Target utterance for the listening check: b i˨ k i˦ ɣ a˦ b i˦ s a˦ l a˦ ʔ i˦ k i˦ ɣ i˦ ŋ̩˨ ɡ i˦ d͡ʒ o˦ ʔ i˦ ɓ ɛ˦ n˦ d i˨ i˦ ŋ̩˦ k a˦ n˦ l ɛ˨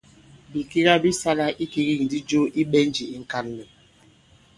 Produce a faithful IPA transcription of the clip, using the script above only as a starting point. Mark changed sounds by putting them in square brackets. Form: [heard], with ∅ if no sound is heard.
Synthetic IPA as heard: b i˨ k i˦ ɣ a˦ b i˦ s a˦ l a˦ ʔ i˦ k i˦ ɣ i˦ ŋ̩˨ [d] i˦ d͡ʒ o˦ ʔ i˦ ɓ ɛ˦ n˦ [d͡ʒ] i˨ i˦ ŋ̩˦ k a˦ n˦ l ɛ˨